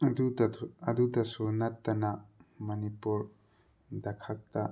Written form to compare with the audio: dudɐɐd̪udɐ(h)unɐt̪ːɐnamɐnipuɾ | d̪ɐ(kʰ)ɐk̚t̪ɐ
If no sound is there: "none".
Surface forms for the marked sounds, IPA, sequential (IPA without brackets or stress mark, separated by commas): s, kʰ